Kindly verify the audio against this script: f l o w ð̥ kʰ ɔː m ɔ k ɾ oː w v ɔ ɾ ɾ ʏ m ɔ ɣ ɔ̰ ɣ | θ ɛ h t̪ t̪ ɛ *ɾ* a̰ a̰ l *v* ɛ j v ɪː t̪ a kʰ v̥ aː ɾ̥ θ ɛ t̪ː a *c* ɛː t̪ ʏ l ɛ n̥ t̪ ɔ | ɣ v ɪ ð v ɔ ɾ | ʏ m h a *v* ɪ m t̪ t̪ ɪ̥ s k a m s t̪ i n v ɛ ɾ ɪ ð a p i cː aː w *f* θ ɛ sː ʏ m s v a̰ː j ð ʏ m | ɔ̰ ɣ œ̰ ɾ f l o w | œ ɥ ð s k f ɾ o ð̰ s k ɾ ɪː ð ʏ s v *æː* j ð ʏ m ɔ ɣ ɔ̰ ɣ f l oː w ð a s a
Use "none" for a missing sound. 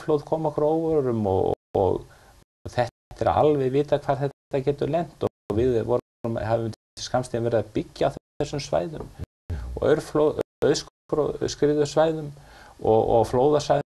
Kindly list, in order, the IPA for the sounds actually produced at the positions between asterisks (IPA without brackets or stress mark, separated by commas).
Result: ɾ, v, c, v, θ, aː